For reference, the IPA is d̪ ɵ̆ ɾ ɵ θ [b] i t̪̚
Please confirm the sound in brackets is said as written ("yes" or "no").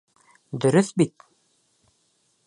yes